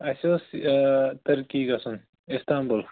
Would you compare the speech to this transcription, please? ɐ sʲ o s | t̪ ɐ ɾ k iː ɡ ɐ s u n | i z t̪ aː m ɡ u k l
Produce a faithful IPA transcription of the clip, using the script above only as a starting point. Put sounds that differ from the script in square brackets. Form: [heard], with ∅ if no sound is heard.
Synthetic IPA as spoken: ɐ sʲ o s | t̪ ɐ ɾ k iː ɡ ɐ s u n | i [s] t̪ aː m [b] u [∅] l